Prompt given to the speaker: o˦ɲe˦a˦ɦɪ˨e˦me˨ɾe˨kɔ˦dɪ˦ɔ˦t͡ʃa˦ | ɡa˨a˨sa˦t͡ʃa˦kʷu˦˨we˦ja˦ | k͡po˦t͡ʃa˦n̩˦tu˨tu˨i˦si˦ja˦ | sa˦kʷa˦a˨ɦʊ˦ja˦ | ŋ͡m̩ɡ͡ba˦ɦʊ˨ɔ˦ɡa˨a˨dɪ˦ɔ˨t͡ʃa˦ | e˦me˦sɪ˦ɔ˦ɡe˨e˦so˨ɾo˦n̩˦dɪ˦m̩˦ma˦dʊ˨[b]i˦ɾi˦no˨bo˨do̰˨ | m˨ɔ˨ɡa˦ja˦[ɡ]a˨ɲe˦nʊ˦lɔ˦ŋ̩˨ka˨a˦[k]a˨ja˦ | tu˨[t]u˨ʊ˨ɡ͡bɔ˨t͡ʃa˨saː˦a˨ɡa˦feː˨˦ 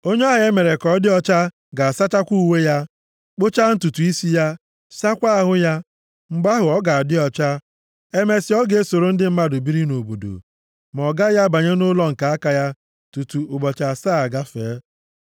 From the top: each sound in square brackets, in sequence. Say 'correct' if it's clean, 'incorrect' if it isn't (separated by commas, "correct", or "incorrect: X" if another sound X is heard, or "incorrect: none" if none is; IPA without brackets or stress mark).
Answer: correct, incorrect: b, correct, correct